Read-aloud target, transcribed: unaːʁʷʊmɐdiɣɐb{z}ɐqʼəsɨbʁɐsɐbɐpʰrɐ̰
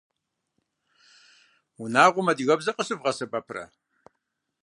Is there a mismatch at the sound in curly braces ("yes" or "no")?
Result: no